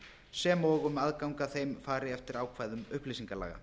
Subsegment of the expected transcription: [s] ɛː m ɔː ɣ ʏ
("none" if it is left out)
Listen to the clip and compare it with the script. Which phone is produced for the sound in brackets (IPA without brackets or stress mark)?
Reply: s